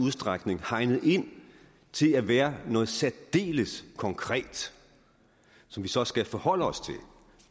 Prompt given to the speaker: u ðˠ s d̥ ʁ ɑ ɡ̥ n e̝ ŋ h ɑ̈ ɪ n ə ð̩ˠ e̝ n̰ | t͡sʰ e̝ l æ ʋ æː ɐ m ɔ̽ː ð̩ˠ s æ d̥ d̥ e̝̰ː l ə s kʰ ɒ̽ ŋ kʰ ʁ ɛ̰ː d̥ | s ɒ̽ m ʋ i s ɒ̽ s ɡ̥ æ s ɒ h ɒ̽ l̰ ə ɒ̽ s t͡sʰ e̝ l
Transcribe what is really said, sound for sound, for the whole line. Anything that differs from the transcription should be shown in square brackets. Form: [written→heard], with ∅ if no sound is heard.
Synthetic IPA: u ðˠ s d̥ ʁ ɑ ɡ̥ n e̝ ŋ h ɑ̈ ɪ n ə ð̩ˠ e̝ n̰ | t͡sʰ e̝ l æ ʋ æː ɐ [m→n] ɔ̽ː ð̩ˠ s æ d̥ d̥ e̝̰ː l ə s kʰ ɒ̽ ŋ kʰ ʁ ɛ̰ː d̥ | s ɒ̽ m ʋ i s ɒ̽ s ɡ̥ æ [s→f] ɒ h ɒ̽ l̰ ə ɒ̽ s t͡sʰ e̝ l